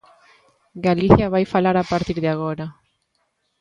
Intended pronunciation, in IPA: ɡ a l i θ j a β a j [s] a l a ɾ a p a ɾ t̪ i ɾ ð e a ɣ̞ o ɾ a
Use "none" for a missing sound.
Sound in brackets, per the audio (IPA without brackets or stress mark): f